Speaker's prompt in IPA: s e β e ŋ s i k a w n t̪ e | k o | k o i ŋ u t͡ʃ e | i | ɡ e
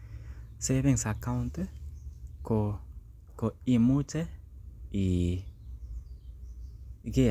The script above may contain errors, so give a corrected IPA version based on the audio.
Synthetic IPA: s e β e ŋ s a k a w n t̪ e | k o | k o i m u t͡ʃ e | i | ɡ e